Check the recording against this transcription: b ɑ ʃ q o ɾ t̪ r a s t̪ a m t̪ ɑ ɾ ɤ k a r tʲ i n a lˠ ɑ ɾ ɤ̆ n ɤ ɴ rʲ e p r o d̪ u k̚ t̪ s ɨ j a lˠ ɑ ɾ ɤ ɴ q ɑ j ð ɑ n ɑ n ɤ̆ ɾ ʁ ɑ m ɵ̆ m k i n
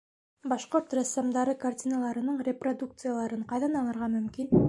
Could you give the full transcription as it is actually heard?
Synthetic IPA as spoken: b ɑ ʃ q o ɾ t̪ r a s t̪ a m d̪ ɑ ɾ ɤ k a r tʲ i n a lˠ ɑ ɾ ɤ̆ n ɤ ɴ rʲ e p r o d̪ u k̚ t̪ s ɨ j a lˠ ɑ ɾ ɤ ɴ q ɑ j ð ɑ n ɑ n ɤ̆ ɾ ʁ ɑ m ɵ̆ m k i n